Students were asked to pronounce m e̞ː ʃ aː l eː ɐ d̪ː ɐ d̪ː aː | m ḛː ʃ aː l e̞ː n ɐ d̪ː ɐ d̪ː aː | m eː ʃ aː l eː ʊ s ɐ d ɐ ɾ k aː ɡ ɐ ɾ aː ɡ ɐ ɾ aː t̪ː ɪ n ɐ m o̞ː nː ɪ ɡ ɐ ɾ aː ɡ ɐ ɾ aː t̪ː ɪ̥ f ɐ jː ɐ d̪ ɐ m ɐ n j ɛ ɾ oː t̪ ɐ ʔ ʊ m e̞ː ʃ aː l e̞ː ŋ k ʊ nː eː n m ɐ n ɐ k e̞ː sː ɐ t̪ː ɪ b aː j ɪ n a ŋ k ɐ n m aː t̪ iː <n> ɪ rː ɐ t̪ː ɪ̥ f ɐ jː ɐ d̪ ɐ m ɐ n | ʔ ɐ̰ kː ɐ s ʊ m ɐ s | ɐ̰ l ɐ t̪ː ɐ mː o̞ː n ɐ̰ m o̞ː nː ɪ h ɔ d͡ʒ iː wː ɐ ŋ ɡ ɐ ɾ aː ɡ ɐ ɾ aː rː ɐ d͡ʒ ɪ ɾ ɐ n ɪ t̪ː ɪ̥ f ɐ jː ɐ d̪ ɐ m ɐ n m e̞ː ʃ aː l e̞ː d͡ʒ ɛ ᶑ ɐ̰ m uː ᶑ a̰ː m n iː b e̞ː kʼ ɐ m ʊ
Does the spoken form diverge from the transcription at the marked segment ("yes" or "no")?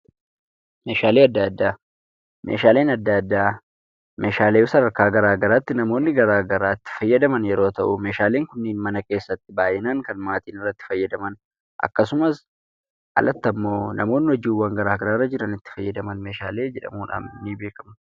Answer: no